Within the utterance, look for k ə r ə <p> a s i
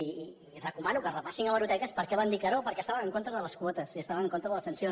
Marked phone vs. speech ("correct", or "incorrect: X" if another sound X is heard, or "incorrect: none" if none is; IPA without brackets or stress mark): correct